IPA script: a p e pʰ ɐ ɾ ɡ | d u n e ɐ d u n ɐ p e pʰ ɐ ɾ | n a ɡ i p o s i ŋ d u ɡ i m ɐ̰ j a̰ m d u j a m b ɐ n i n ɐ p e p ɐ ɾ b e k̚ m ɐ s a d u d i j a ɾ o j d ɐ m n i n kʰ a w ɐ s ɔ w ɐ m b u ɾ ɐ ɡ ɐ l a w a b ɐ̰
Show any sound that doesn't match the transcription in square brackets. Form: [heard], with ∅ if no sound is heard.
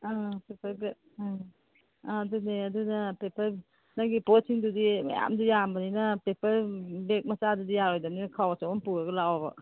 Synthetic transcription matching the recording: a p e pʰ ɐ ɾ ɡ | d u n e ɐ d u n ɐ p e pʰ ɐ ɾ | n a ɡ i p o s i ŋ d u [d] i m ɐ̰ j a̰ m d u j a m b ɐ n i n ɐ p e p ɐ ɾ b e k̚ m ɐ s a d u d i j a ɾ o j d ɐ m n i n kʰ a w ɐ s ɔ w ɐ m [p] u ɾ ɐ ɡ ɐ l a w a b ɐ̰